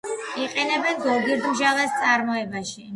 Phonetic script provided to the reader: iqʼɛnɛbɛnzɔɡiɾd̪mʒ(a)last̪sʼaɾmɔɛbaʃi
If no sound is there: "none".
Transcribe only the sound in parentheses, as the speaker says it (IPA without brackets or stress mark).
a